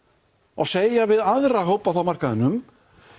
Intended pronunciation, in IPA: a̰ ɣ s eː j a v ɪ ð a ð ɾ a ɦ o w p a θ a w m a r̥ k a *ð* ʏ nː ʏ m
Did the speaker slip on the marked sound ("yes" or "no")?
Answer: no